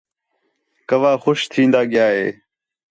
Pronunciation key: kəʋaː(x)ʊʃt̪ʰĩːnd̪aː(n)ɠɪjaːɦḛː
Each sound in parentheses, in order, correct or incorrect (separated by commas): correct, incorrect